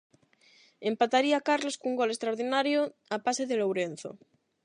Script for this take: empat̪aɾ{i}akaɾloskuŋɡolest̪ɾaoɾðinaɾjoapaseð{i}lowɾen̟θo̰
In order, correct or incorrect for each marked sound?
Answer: correct, incorrect

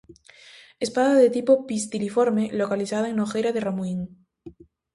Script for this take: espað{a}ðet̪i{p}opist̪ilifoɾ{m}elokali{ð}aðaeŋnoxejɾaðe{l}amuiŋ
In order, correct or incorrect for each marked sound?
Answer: correct, correct, correct, incorrect, incorrect

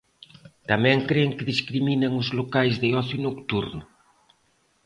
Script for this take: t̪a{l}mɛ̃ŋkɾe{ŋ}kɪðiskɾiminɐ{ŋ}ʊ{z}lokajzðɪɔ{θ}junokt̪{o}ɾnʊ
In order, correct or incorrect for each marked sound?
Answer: incorrect, correct, correct, correct, correct, incorrect

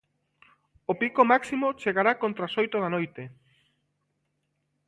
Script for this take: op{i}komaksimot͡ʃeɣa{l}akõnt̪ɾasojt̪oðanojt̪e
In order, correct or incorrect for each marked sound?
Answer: correct, incorrect

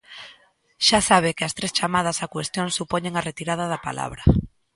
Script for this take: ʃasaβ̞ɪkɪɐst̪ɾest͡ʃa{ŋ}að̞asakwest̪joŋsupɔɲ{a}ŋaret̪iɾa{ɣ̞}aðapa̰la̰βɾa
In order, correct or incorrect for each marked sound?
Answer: incorrect, incorrect, incorrect

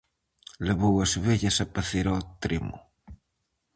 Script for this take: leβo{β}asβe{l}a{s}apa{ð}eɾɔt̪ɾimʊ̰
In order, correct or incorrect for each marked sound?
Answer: incorrect, incorrect, correct, incorrect

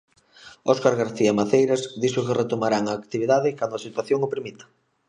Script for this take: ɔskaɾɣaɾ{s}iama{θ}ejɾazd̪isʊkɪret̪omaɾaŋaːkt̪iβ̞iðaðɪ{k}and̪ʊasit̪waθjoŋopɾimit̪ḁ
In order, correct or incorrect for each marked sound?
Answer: incorrect, correct, correct

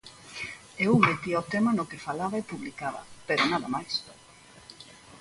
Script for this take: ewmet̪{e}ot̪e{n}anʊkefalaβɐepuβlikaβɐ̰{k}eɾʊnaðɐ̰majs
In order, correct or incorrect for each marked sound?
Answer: incorrect, incorrect, incorrect

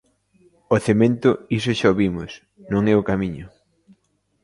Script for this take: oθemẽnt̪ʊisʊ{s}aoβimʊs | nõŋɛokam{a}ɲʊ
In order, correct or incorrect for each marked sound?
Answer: incorrect, incorrect

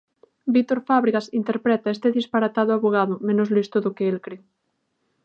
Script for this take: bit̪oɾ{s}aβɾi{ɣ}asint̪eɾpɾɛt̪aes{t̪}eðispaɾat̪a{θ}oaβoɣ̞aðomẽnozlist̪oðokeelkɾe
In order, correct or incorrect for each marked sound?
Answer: incorrect, correct, correct, incorrect

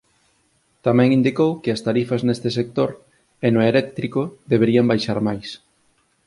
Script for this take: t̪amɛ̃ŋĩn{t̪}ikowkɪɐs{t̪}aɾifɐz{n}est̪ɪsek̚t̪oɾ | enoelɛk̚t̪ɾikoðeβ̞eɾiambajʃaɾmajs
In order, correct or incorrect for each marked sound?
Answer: incorrect, correct, correct

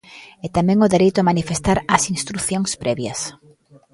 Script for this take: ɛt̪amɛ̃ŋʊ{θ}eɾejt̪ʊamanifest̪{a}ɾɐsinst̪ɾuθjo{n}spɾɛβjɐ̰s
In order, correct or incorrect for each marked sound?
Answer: incorrect, correct, incorrect

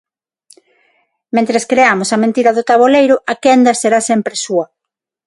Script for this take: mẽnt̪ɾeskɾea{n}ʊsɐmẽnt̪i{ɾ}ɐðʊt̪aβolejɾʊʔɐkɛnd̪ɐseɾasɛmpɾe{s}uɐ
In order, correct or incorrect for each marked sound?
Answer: incorrect, correct, correct

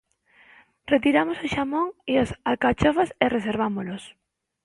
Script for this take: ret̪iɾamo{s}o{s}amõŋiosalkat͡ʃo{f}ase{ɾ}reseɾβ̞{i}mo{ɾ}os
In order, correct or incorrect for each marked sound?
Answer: correct, incorrect, correct, incorrect, incorrect, incorrect

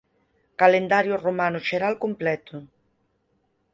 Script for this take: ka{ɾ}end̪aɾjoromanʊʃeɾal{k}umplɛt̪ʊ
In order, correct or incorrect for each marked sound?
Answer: incorrect, correct

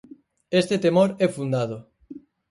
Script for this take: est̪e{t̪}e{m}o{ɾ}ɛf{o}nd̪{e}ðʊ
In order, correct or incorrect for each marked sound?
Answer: correct, correct, correct, incorrect, incorrect

